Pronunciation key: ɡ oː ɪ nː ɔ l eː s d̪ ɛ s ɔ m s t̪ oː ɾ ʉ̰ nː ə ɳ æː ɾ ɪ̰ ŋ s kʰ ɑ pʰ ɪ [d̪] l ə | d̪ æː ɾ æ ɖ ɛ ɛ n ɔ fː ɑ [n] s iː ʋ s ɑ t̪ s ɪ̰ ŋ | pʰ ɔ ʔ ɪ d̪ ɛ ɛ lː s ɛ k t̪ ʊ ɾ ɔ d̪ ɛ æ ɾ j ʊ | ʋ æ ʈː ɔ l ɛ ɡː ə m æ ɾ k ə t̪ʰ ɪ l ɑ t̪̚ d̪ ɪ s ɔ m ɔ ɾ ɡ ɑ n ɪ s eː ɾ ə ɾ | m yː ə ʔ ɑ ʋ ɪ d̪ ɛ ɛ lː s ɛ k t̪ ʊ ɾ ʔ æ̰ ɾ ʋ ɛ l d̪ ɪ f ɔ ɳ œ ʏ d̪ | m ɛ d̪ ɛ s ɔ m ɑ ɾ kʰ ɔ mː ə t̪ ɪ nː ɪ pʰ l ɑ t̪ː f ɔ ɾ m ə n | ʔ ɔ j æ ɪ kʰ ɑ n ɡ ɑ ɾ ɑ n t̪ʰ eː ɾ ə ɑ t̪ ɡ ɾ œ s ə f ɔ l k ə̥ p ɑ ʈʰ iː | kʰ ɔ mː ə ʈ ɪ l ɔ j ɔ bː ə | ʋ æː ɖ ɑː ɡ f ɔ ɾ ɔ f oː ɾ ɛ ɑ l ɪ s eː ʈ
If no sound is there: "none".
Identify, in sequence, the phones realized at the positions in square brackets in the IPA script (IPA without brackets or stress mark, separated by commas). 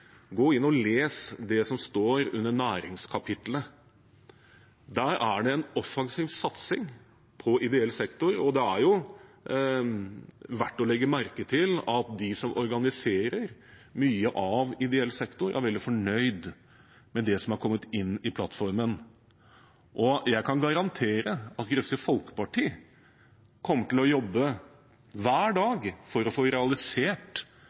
t̪, ŋ